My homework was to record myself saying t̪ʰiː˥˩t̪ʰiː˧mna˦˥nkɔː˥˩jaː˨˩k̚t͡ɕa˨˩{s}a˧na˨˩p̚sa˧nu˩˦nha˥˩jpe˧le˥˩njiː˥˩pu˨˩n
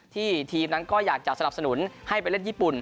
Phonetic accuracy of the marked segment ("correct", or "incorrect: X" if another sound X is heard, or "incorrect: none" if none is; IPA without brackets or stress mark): correct